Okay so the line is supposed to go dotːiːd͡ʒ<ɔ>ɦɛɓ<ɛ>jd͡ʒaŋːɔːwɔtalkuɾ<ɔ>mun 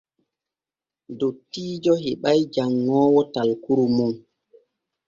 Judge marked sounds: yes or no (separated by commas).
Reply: yes, no, no